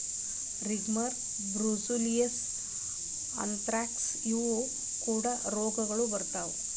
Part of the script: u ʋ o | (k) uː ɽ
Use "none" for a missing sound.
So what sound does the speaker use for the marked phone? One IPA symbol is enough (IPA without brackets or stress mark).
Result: k